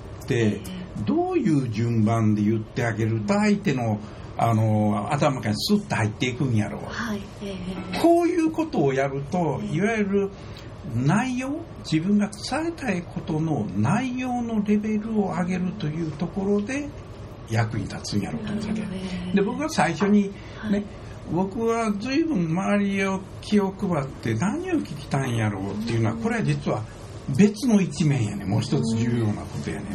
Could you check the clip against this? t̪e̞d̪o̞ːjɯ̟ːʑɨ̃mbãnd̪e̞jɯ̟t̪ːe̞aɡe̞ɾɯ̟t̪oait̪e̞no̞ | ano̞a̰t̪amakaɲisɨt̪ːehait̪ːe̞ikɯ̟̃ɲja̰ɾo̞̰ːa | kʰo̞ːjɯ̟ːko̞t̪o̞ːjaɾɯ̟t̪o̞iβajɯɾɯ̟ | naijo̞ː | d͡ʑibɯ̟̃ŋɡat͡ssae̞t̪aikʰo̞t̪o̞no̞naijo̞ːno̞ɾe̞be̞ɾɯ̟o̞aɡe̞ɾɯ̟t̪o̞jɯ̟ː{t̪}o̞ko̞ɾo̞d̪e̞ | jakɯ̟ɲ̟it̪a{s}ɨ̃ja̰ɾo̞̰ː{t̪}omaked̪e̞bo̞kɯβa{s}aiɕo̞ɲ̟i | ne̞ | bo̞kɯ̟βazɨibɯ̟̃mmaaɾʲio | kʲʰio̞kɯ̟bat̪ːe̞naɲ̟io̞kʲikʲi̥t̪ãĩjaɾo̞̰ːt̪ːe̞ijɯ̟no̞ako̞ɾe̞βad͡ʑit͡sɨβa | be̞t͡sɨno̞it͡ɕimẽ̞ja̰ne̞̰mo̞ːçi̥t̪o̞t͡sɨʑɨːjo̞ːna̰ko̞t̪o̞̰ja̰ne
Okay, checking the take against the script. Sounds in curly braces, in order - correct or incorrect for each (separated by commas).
correct, incorrect, correct, correct